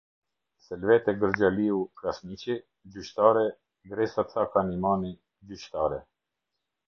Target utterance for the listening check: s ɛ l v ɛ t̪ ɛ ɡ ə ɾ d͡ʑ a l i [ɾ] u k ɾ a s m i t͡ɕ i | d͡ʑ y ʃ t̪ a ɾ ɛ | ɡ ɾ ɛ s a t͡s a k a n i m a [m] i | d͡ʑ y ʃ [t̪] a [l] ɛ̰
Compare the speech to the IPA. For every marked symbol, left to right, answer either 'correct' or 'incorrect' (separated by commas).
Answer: incorrect, incorrect, correct, incorrect